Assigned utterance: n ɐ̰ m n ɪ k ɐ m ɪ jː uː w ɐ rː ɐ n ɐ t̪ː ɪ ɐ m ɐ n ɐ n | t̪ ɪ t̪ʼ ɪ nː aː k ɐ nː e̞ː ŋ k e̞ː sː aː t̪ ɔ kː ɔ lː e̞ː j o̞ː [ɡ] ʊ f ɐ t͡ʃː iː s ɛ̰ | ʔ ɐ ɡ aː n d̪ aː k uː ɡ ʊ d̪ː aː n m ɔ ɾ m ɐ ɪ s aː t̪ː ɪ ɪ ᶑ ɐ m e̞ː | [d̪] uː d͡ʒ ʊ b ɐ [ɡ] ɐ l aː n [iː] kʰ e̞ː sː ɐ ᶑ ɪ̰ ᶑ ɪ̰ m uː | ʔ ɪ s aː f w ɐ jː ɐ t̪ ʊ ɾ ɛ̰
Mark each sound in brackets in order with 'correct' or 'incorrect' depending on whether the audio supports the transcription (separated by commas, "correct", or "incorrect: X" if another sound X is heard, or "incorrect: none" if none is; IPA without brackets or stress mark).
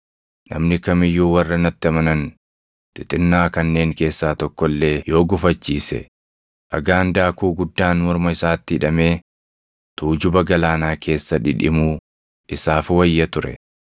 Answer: correct, incorrect: t̪, correct, incorrect: aː